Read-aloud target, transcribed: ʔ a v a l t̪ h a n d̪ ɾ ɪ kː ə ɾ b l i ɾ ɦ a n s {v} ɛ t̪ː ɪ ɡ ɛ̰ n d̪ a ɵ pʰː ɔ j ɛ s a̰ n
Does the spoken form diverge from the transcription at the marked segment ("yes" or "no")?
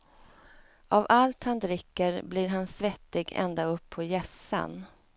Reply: no